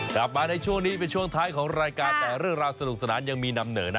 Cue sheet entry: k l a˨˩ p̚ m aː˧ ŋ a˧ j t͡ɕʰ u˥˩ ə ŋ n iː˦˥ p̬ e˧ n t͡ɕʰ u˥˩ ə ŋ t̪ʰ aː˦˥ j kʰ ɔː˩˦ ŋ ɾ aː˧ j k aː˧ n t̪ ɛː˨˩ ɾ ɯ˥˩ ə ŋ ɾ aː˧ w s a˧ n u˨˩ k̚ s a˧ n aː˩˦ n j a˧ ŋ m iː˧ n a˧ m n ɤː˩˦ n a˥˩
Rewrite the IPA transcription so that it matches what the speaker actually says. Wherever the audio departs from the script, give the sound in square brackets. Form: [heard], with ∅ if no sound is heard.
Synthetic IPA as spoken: k l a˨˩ p̚ m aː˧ [n] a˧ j t͡ɕʰ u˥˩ ə ŋ n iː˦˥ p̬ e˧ n t͡ɕʰ u˥˩ ə ŋ t̪ʰ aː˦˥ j kʰ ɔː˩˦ ŋ ɾ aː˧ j k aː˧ n t̪ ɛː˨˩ ɾ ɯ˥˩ ə ŋ ɾ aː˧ w s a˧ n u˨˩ k̚ s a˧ n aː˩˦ n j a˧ ŋ m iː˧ n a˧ m n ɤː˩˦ n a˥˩